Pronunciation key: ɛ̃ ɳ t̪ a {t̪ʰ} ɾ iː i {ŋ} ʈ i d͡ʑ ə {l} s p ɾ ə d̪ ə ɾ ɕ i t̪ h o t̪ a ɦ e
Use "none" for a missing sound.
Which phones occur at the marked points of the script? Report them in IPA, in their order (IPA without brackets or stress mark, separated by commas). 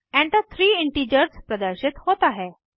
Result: t̪ʰ, ɳ, ɾ